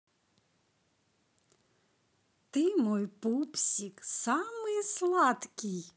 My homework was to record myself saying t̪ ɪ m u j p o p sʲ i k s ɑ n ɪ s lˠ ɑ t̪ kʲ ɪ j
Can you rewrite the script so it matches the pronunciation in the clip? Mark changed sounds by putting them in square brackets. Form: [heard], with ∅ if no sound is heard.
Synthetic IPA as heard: t̪ ɪ m [ɔ] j p [u] p sʲ i k s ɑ [m] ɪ s lˠ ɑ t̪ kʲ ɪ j